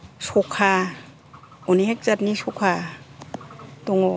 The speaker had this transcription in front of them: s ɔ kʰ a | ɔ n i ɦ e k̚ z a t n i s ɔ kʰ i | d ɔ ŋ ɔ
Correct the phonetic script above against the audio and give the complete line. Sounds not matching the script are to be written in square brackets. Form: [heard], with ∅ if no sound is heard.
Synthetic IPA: s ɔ kʰ a | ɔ n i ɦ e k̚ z a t n i s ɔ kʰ [a] | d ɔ ŋ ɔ